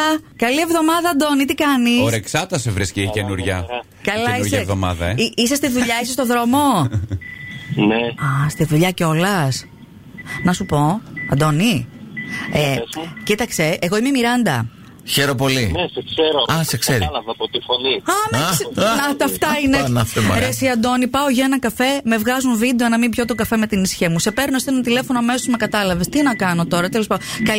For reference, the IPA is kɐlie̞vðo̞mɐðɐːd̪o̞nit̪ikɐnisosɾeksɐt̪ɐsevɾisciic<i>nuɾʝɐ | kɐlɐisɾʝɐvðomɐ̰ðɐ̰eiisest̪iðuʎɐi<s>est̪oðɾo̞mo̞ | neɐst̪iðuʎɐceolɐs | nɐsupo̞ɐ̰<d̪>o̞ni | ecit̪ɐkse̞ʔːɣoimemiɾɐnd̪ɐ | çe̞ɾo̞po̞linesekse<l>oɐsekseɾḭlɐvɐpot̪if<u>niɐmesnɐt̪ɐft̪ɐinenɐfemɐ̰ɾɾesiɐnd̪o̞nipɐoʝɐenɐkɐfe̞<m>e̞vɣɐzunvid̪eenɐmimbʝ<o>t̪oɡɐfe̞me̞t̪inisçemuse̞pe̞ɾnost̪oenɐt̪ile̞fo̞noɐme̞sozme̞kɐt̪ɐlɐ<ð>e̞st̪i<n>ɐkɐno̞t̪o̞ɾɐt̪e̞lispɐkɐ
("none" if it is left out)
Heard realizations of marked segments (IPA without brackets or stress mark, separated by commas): e, s, d̪, ɾ, o, m, o, v, n